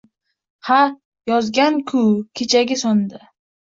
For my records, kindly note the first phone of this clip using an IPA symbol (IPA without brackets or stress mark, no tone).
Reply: h